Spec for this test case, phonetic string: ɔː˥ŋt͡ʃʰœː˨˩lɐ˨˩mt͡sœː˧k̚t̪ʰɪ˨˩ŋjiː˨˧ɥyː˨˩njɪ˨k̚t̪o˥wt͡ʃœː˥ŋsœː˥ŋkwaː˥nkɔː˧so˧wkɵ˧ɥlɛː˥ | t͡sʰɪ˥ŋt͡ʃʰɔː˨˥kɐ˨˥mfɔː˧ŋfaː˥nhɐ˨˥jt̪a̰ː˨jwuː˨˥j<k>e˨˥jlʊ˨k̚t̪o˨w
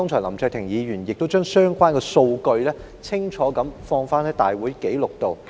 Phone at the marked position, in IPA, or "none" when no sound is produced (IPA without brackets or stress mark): k